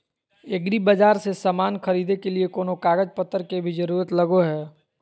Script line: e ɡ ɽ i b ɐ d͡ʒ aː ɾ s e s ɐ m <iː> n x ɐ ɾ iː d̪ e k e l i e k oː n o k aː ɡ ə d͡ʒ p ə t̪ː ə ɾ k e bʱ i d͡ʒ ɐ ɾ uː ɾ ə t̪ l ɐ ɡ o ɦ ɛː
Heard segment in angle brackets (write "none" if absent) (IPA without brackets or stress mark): aː